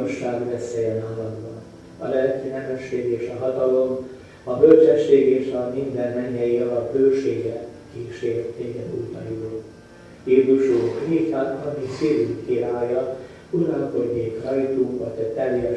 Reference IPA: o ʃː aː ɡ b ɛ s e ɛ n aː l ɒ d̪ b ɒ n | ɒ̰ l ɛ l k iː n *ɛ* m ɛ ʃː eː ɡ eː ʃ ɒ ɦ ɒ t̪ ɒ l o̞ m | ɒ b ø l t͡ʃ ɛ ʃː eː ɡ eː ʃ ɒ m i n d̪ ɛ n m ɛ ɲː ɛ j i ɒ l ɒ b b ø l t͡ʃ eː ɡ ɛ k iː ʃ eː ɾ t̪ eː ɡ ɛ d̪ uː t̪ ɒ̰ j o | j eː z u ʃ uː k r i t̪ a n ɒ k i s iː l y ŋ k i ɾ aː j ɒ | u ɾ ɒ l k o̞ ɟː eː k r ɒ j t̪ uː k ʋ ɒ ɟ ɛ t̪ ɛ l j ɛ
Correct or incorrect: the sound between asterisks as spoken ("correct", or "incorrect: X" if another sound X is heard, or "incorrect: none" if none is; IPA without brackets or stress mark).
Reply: correct